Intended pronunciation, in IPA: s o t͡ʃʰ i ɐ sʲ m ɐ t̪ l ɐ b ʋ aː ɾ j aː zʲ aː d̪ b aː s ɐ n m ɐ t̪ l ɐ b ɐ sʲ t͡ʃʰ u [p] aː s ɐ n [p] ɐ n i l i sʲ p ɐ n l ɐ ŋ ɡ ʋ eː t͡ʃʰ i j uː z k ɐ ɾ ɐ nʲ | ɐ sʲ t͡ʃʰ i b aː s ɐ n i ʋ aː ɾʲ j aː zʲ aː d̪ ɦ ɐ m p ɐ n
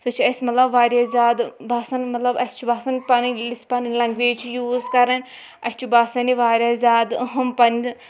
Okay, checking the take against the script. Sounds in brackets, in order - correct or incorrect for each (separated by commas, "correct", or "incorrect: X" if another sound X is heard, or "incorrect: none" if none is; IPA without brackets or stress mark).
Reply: incorrect: b, correct